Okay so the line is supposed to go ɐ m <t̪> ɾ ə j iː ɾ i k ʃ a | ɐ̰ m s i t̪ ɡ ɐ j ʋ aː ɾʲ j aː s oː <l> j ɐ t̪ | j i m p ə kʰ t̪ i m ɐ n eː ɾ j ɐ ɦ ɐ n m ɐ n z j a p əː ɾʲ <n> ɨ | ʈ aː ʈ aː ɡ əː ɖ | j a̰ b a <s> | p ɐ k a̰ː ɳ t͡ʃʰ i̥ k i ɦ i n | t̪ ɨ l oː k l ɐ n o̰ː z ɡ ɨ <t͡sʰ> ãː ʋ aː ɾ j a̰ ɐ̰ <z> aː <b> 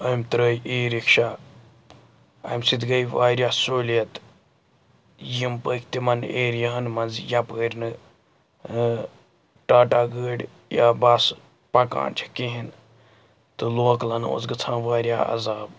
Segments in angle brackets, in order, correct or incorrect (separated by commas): correct, correct, correct, correct, correct, correct, correct